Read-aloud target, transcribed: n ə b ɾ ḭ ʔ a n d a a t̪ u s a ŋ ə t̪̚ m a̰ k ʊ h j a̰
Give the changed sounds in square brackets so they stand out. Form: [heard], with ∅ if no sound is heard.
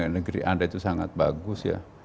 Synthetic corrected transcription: n ə [ɡ] ɾ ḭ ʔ a n d a [i] t̪ u s a ŋ [a] t̪̚ [b] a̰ [ɡ] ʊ [s] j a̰